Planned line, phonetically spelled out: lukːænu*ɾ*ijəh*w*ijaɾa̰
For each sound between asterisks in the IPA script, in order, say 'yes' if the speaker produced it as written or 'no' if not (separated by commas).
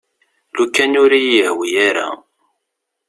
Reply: yes, yes